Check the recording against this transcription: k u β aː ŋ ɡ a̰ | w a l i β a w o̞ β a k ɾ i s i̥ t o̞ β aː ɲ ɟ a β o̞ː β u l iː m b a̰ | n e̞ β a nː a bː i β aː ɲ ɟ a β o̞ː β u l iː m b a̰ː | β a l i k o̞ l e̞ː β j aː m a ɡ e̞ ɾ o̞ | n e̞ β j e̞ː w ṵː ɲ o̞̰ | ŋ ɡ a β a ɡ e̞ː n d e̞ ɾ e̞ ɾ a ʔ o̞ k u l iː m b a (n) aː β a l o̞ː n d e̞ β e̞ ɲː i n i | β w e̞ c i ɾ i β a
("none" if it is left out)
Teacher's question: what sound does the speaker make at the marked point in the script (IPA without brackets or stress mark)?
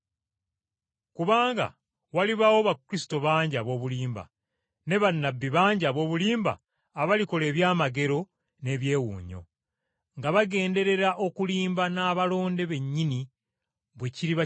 n